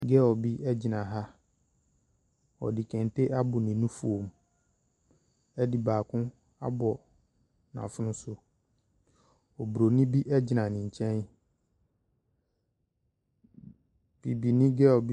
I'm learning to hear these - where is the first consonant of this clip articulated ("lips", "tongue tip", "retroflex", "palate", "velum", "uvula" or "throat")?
velum